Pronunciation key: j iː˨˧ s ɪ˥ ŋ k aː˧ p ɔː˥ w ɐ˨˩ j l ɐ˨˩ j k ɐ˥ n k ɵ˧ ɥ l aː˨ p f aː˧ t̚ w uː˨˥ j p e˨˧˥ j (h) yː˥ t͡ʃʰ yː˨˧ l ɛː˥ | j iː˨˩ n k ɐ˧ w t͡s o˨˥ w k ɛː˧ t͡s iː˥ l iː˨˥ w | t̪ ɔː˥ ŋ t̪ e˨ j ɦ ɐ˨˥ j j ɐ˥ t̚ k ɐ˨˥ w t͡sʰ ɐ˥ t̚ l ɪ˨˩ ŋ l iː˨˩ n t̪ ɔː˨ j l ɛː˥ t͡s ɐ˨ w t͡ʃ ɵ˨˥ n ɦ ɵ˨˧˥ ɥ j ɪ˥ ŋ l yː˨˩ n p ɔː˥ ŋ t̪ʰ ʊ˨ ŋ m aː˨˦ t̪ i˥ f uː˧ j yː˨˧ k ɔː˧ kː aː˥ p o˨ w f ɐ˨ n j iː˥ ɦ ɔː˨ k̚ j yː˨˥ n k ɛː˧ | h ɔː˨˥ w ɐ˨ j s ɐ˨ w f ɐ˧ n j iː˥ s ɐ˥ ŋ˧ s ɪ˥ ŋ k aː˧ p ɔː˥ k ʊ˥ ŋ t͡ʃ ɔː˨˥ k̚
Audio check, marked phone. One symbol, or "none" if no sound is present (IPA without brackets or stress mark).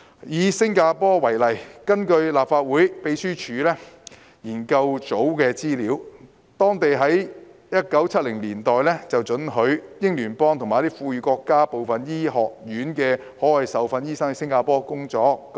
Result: s